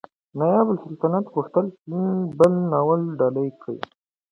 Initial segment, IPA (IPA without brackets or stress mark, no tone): n